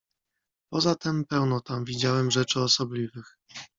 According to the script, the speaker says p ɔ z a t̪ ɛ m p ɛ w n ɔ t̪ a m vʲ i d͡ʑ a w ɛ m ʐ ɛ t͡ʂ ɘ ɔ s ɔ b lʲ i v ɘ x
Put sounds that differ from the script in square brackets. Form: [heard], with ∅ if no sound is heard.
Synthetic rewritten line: p ɔ z a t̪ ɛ m p ɛ w n ɔ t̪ a m vʲ i d͡ʑ a w ɛ m ʐ ɛ t͡ʂ ɘ ɔ s ɔ b lʲ i v ɘ x